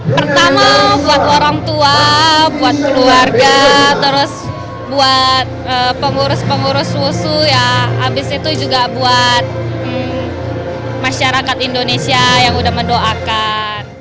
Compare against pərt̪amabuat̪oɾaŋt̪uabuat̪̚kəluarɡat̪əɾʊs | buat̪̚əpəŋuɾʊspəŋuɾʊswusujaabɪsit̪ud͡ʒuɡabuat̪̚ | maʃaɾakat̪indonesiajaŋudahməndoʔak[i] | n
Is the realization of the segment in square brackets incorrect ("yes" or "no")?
yes